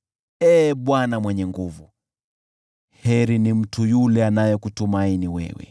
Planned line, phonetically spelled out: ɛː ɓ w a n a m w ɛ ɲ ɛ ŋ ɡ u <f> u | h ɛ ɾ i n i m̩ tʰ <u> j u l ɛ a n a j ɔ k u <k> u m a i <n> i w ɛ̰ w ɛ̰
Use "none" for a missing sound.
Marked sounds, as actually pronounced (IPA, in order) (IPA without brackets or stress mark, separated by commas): v, u, t, n